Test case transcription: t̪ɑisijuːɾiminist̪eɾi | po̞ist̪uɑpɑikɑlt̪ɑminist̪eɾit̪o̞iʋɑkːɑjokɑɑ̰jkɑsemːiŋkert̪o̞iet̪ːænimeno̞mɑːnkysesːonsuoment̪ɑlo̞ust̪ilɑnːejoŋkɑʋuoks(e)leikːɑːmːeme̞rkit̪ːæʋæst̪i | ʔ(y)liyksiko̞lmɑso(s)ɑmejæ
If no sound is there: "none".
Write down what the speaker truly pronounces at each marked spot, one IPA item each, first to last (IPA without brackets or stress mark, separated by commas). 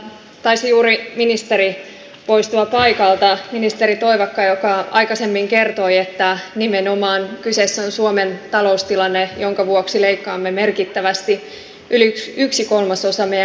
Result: i, y, s